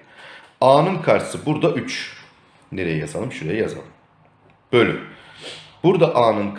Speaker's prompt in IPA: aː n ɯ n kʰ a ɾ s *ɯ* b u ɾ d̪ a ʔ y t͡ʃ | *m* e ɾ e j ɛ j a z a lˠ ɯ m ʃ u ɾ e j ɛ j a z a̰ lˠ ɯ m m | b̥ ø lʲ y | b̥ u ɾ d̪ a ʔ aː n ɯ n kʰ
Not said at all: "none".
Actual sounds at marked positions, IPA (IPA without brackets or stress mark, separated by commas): ɯ, n